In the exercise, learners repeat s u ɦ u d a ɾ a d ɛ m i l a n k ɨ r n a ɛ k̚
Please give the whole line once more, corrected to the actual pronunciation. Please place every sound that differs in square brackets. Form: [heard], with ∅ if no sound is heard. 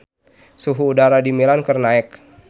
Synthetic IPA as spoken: s u ɦ [uː] d a ɾ a d [i] m i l a n k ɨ r n a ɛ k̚